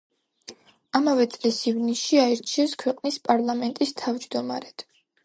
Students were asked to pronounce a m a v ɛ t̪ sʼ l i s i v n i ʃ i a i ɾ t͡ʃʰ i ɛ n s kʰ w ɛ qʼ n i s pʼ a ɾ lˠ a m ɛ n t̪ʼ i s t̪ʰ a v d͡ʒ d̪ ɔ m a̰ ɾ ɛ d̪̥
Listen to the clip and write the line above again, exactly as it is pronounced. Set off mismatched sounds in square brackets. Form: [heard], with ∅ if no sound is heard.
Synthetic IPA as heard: a m a v ɛ t̪ sʼ l i s i v n i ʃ i a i ɾ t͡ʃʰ i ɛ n s kʰ w ɛ qʼ n i s pʼ a ɾ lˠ a m ɛ n t̪ʼ i s t̪ʰ a v d͡ʒ d̪ ɔ m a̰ ɾ ɛ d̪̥